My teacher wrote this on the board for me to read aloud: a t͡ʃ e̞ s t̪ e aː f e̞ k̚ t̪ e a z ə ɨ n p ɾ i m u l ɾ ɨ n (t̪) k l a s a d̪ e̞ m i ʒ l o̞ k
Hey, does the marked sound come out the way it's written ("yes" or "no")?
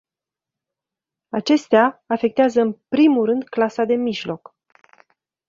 no